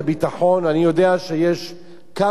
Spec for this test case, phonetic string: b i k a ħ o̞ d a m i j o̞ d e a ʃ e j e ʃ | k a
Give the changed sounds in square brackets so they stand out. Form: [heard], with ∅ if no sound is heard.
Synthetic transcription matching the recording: b i [t] a ħ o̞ [n] a [n] i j o̞ d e a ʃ e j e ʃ | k a